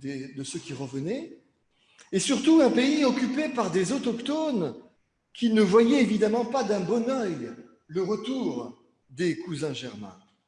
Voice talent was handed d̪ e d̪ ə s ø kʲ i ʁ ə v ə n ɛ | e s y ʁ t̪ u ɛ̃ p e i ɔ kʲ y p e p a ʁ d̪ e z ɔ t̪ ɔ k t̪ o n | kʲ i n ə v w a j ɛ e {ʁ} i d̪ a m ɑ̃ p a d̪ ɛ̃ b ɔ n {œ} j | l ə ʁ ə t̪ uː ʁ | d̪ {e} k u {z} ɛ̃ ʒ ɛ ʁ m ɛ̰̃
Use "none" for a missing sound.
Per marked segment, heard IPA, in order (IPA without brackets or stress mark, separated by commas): v, œ, e, z